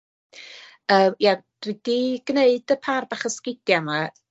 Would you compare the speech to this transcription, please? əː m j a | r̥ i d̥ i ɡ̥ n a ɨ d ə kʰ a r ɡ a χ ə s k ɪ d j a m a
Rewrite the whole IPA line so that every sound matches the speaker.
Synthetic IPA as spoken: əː m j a | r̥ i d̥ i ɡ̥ n e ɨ d ə pʰ a r b a χ ə s k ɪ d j a m a